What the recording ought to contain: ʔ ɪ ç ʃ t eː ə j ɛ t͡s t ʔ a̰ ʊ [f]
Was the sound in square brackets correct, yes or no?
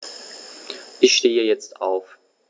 yes